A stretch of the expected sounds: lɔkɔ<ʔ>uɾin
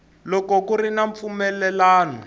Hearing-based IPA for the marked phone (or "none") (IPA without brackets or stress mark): k